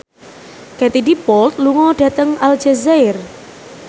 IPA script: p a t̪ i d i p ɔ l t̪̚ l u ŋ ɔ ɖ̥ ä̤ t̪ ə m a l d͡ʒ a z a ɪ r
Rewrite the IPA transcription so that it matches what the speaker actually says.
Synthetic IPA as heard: k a t̪ i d i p ɔ l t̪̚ l u ŋ ɔ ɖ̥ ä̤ t̪ ə ŋ a l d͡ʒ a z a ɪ r

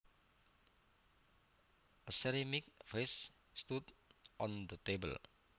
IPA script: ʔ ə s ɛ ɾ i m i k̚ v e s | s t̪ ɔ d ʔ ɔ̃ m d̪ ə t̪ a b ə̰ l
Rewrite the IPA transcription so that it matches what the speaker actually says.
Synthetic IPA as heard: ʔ ə s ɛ ɾ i m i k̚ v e s | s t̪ u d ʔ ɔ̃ n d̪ ə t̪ e b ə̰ l

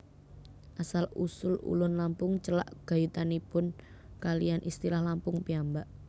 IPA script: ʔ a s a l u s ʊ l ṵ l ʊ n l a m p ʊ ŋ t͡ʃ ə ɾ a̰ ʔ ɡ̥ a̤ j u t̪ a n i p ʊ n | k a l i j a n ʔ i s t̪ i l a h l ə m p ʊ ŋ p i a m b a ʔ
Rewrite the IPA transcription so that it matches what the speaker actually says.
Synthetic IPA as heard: ʔ a s a l u s ʊ l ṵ l ʊ n l a m p ʊ ŋ t͡ʃ ə l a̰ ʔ ɡ̥ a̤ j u t̪ a n i p ʊ n | k a l i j a n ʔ i s t̪ i l a h l a m p ʊ ŋ p i a m b a ʔ

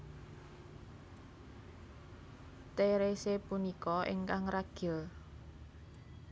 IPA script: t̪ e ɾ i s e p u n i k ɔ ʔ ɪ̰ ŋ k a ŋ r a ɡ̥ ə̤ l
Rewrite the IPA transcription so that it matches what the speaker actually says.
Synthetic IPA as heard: t̪ e ɾ e s e p u n i k ɔ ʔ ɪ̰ ŋ k a ŋ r a ɡ̥ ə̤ l

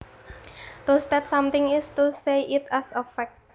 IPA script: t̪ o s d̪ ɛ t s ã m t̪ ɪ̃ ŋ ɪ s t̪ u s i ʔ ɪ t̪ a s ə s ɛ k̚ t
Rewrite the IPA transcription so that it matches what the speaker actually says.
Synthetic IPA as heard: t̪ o s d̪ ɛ t s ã m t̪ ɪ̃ ŋ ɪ s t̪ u s e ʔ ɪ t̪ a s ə f ɛ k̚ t

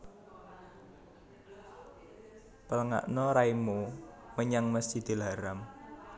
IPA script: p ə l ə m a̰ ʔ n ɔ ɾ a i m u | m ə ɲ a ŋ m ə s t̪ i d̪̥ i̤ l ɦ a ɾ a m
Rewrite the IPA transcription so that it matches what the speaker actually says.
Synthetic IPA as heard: p ə l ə ŋ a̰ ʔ n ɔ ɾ a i m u | m ə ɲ a ŋ m ə s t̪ i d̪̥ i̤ l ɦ a ɾ a m

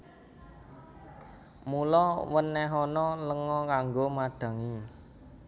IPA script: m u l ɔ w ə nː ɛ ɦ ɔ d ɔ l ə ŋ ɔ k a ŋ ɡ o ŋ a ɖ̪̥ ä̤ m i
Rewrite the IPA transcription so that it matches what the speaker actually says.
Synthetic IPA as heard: m u l ɔ w ə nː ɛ ɦ ɔ n ɔ l ə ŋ ɔ k a ŋ ɡ o m a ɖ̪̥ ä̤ ŋ i

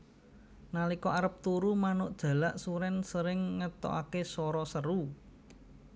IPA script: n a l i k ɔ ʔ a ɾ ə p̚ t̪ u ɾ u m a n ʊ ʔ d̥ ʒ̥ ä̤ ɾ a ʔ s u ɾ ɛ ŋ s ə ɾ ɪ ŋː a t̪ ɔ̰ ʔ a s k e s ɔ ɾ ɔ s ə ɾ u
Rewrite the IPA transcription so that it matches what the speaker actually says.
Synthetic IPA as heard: n a l i k ɔ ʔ a ɾ ə p̚ t̪ u ɾ u m a n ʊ ʔ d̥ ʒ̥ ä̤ l a ʔ s u ɾ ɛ n s ə ɾ ɪ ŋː ə t̪ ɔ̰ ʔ a k e s ɔ ɾ ɔ s ə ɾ u

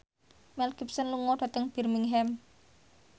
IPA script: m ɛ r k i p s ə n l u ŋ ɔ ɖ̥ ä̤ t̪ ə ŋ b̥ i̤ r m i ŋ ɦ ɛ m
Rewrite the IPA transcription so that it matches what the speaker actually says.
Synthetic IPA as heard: m ɛ l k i p s ə n l u ŋ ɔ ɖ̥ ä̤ t̪ ə ŋ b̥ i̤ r m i ŋ ɦ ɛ m

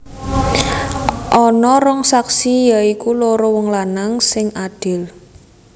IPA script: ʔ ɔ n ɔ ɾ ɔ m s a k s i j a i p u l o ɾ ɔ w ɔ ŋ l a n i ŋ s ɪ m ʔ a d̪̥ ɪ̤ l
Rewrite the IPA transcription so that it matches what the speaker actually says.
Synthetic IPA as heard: ʔ ɔ n ɔ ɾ ɔ ŋ s a k s i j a i k u l o ɾ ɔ w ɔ ŋ l a n a ŋ s ɪ ŋ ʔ a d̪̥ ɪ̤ l

